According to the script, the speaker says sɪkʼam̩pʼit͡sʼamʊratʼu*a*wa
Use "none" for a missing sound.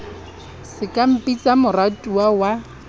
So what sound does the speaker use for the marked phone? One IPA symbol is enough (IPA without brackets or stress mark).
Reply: a